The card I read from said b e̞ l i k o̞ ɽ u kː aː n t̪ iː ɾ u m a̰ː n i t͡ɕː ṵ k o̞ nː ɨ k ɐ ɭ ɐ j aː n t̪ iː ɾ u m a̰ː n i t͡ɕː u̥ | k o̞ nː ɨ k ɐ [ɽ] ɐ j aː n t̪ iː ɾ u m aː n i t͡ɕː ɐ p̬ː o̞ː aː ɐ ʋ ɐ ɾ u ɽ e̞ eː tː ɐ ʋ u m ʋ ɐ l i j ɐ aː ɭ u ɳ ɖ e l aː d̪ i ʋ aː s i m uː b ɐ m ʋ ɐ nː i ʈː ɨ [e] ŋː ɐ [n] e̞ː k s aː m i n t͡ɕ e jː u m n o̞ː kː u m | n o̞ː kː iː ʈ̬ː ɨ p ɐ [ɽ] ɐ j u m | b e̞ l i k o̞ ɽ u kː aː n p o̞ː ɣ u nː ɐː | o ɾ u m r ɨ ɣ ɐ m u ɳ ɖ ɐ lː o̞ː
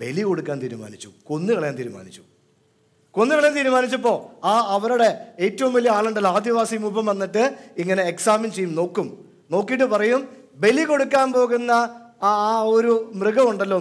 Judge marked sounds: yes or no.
no, no, yes, no

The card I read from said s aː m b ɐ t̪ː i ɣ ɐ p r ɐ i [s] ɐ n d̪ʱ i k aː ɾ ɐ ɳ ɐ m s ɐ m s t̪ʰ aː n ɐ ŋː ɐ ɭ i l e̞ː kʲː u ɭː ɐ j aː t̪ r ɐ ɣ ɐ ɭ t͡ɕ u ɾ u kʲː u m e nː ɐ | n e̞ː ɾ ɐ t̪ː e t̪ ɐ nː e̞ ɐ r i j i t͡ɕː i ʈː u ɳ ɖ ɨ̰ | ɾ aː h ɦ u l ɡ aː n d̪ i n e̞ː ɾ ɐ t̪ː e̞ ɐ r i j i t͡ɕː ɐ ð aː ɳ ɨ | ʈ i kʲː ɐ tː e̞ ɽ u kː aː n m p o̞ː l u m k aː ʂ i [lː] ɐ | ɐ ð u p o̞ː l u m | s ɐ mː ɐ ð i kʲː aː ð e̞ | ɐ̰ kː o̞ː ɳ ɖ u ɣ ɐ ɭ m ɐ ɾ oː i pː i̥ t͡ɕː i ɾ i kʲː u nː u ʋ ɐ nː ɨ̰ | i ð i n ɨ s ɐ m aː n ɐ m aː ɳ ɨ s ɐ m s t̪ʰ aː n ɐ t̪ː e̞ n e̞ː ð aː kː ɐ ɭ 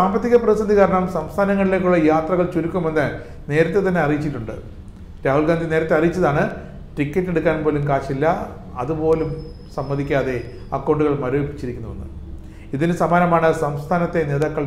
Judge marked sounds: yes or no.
yes, yes

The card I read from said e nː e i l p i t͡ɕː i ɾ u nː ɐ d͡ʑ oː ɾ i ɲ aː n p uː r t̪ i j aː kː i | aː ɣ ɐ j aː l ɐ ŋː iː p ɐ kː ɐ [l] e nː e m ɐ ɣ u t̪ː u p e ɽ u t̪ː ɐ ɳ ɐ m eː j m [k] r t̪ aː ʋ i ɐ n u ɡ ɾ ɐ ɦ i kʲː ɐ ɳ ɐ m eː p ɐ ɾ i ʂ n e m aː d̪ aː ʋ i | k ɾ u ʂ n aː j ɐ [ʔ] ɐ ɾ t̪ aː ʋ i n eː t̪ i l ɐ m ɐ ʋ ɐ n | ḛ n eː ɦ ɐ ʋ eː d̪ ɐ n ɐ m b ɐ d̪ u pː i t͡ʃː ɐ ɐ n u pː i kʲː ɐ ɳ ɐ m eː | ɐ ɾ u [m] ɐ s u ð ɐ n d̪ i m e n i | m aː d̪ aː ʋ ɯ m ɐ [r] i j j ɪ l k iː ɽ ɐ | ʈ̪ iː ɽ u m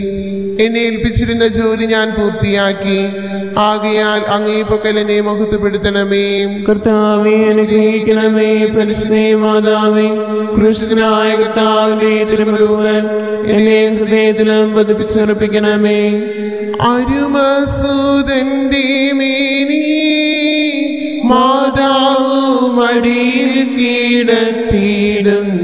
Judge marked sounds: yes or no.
yes, yes, no, yes, no

